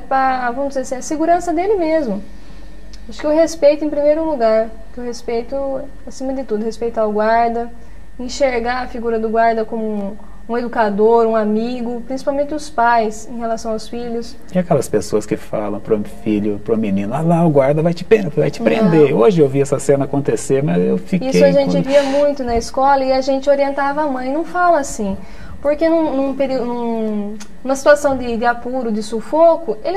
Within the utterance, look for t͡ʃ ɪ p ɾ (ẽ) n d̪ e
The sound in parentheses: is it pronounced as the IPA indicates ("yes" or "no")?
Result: yes